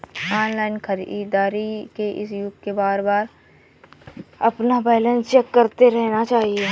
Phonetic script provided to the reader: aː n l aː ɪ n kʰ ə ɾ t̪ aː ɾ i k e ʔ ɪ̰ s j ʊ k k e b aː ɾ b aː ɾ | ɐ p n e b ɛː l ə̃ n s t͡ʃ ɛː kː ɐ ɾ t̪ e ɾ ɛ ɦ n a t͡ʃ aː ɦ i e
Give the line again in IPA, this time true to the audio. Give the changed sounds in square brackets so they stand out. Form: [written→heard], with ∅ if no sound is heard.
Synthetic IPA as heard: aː n l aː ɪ n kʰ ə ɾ [t̪→d̪] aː ɾ i k e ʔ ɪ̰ s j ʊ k k e b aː ɾ b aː ɾ | ɐ p n [e→a] b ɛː l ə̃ n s t͡ʃ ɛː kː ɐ ɾ t̪ e ɾ ɛ ɦ n a t͡ʃ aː ɦ i e